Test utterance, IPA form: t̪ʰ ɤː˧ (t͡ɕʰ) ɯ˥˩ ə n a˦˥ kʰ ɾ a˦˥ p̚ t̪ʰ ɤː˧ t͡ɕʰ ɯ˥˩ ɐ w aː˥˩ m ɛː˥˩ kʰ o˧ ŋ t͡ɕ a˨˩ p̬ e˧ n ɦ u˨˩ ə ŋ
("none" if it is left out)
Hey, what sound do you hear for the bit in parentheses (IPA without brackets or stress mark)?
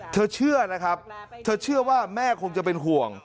t͡ɕʰ